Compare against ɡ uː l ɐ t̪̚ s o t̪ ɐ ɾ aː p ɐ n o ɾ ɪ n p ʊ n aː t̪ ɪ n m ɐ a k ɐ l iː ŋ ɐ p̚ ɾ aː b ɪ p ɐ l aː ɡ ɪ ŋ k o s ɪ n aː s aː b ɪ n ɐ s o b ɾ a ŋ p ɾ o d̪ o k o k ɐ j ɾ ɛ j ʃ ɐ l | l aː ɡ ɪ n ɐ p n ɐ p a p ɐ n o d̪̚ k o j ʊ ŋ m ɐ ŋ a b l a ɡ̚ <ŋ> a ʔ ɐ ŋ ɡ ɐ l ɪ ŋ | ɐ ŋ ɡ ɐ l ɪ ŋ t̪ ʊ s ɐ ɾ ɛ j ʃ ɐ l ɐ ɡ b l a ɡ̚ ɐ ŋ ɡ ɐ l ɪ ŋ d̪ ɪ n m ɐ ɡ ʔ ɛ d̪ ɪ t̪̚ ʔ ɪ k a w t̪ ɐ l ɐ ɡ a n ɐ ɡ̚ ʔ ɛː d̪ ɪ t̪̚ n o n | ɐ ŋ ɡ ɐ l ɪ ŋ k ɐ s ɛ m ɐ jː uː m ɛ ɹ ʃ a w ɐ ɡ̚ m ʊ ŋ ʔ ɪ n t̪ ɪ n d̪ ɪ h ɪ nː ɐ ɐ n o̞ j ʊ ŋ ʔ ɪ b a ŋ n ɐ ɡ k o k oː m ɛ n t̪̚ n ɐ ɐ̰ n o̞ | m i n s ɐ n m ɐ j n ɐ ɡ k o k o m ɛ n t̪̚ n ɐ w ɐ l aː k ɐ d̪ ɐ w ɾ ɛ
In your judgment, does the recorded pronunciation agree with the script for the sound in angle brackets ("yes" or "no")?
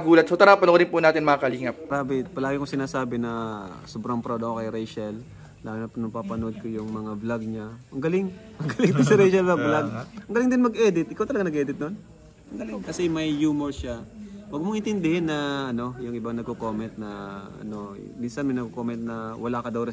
no